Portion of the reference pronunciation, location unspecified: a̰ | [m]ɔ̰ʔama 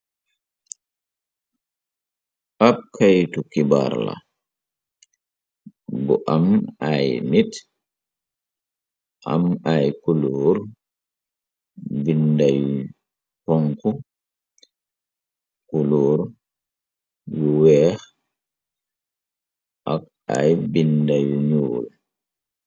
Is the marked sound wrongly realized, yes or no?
yes